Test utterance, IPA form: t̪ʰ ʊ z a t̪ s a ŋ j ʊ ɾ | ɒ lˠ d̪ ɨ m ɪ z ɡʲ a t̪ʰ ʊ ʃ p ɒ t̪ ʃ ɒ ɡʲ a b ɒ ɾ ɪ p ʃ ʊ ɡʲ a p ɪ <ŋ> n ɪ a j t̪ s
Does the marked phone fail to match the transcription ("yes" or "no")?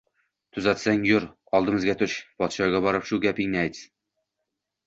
no